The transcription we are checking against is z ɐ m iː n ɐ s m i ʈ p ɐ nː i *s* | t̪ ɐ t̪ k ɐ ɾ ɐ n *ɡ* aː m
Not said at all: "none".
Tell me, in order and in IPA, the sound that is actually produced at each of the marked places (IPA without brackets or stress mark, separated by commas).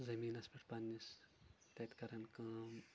s, k